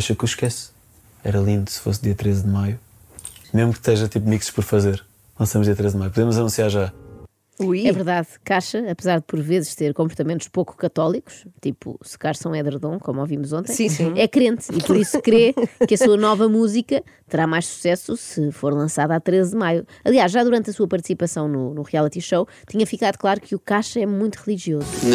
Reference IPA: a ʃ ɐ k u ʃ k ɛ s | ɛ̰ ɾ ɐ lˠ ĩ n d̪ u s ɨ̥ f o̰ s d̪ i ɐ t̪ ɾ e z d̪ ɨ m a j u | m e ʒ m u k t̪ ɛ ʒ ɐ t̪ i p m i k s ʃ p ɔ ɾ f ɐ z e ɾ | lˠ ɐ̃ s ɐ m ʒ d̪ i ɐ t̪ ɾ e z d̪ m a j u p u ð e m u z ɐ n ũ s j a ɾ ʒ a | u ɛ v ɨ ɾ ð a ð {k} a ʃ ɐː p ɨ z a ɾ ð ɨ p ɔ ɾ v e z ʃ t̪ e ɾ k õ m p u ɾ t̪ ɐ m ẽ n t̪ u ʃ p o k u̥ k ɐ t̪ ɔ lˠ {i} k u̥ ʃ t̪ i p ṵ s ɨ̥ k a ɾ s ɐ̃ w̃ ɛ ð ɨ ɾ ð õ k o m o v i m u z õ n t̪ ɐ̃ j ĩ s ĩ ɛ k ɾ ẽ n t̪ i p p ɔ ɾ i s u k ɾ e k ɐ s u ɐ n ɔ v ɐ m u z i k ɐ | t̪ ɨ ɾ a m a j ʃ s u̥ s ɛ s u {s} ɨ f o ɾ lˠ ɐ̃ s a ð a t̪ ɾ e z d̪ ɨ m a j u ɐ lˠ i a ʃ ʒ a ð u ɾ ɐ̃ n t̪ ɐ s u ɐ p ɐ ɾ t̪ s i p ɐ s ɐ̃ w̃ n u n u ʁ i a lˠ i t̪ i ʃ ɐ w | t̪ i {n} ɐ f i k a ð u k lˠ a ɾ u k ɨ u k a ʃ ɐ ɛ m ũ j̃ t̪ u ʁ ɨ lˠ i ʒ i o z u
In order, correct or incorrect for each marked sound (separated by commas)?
correct, correct, correct, incorrect